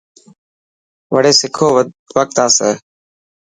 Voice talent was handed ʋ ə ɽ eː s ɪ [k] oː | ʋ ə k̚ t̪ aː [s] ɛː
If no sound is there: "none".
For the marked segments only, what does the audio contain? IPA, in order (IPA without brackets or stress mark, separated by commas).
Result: kʰ, s